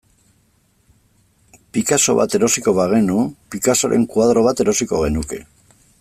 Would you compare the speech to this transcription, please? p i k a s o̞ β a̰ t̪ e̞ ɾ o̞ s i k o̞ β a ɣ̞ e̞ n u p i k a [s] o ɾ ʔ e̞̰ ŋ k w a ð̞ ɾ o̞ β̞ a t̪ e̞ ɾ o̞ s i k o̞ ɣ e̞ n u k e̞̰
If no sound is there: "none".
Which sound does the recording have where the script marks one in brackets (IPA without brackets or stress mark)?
s